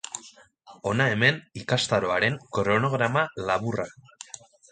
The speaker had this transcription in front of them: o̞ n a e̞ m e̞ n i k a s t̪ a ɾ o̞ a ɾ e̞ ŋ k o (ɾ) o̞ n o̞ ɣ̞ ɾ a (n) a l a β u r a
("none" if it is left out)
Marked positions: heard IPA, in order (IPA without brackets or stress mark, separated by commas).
ɾ, m